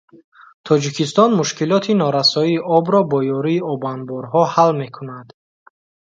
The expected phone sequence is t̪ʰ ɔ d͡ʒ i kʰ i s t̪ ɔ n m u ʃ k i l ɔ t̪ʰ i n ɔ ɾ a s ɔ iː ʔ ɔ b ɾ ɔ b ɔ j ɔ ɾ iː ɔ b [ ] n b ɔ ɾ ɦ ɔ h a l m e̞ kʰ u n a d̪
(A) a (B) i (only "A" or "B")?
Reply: A